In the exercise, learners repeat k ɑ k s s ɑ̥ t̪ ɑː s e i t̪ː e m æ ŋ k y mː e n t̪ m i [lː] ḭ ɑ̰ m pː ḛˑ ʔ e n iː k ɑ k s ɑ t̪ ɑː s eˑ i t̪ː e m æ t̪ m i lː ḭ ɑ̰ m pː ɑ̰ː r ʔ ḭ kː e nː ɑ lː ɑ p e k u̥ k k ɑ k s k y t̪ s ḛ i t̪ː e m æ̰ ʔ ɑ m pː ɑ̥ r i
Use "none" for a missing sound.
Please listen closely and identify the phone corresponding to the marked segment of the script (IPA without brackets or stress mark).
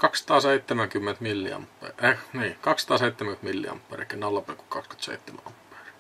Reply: lː